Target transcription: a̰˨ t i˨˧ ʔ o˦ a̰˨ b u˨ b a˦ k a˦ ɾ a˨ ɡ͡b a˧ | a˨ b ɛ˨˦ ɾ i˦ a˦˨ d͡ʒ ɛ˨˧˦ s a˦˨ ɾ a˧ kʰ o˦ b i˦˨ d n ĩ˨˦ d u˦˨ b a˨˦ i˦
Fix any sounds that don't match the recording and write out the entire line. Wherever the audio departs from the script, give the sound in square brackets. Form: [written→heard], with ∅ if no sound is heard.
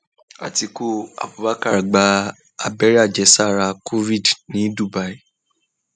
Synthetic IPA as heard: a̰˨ t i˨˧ [ʔ→k] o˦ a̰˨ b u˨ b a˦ k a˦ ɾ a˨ ɡ͡b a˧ | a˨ b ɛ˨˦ ɾ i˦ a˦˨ d͡ʒ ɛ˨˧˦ s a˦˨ ɾ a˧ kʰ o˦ [b→v] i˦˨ d n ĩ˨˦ d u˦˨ b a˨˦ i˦